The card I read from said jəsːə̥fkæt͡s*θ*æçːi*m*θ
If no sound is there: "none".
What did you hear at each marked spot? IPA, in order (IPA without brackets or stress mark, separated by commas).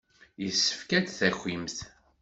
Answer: θ, m